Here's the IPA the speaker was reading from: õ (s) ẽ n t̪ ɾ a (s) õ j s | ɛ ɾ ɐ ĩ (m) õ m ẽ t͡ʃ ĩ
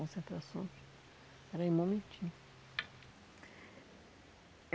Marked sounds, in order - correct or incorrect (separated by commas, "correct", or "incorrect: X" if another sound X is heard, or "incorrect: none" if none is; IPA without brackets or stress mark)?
correct, correct, correct